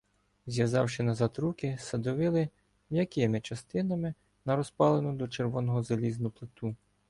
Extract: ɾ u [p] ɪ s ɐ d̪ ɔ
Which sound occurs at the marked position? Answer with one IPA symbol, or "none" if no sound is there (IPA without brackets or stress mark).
k